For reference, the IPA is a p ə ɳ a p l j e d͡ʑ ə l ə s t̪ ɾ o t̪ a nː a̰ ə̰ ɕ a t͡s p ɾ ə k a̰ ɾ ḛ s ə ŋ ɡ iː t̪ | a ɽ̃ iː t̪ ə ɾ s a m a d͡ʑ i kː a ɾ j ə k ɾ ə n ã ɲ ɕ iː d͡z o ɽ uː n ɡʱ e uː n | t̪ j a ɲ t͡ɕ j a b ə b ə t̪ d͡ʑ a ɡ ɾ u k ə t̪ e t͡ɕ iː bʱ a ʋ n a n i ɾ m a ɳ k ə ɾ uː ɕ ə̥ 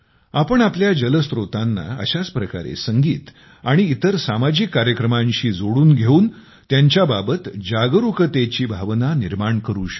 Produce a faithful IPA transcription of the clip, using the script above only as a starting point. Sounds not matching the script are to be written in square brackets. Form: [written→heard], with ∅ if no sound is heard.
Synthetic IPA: a p ə ɳ a p l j [e→a] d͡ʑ ə l ə s t̪ ɾ o t̪ a nː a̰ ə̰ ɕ a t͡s p ɾ ə k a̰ ɾ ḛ s ə ŋ ɡ iː t̪ | a ɽ̃ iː t̪ ə ɾ s a m a d͡ʑ i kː a ɾ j ə k ɾ ə [n→m] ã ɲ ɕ iː d͡z o ɽ uː n ɡʱ e uː n | t̪ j a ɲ t͡ɕ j a b [ə→a] b ə t̪ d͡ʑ a ɡ ɾ u k ə t̪ e t͡ɕ iː bʱ a ʋ n a n i ɾ m a ɳ k ə ɾ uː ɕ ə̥

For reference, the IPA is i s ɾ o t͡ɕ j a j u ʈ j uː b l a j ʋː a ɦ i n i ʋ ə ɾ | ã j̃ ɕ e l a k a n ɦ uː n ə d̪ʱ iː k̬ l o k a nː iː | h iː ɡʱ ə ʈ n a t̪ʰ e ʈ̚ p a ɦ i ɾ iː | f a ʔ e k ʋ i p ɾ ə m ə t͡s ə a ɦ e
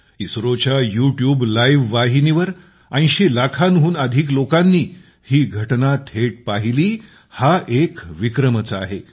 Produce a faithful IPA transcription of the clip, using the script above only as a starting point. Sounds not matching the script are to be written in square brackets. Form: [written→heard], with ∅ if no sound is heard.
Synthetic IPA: i s ɾ o t͡ɕ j a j u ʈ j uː b l a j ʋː a ɦ i n i ʋ ə ɾ | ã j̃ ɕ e l a [k→kʰ] a n ɦ uː n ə d̪ʱ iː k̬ l o k a nː iː | h iː ɡʱ ə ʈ n a t̪ʰ e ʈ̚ p a ɦ i [ɾ→l] iː | [f→h] a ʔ e k ʋ i [p→k] ɾ ə m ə t͡s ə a ɦ e

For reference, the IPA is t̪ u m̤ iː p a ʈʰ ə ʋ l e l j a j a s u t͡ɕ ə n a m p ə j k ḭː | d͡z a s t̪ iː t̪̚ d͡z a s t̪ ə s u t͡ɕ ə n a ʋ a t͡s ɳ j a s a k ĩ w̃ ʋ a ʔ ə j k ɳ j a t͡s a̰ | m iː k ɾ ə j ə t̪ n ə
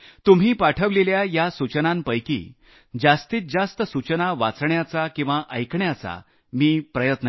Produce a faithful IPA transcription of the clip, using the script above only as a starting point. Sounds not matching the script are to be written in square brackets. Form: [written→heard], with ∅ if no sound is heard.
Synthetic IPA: t̪ u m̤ iː p a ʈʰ ə ʋ l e l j a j a s u t͡ɕ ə n a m p ə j k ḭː | d͡z a s t̪ iː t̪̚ d͡z a s t̪ ə s u t͡ɕ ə n a ʋ a t͡s ɳ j a [s→t͡s] a k ĩ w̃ ʋ a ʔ ə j k ɳ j a t͡s a̰ | m iː [k→p] ɾ ə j ə t̪ n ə

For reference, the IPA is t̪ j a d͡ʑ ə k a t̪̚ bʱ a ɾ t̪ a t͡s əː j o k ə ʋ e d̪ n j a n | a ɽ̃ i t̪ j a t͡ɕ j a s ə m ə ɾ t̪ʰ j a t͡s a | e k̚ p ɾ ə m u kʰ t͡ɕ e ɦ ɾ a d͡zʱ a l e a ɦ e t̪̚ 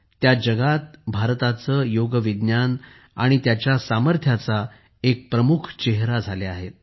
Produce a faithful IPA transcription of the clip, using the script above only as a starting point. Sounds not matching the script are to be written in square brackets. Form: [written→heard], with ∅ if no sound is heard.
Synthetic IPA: t̪ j a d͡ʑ ə [k→ɡ] a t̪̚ bʱ a ɾ t̪ a t͡s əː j o [k→ɡ] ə ʋ [e→i] d̪ n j a n | a ɽ̃ i t̪ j a t͡ɕ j a s [ə→a] m ə ɾ t̪ʰ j a t͡s a | e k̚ p ɾ ə m u kʰ t͡ɕ e ɦ ɾ a d͡zʱ a l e a ɦ e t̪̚

